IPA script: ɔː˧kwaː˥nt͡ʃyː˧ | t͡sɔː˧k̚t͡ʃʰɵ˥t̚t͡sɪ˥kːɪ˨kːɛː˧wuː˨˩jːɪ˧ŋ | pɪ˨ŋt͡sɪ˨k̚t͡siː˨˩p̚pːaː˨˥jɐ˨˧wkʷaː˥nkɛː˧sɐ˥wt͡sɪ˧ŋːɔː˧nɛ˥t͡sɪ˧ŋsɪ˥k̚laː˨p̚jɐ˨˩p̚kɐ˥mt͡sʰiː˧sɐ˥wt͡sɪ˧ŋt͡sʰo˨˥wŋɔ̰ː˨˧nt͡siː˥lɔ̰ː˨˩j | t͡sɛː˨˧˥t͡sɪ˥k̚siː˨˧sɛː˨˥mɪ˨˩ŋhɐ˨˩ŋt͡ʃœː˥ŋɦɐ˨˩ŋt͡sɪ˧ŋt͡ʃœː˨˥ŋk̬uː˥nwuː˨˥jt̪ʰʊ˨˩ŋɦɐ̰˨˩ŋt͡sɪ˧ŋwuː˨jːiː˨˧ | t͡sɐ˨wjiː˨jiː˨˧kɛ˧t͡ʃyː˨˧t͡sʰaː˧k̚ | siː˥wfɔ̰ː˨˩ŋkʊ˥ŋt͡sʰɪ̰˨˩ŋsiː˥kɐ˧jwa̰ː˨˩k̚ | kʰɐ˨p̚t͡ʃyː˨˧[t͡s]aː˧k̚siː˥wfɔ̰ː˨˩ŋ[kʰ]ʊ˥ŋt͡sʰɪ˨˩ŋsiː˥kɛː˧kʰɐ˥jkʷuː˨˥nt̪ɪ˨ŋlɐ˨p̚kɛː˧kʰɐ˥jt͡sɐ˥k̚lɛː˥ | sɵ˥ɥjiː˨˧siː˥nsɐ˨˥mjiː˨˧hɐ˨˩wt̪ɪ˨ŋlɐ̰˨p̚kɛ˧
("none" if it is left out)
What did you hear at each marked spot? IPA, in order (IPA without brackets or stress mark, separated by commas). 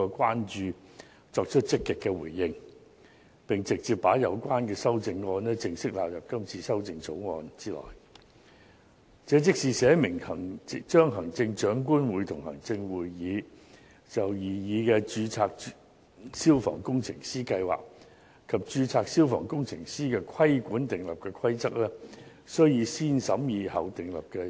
t͡sʰ, k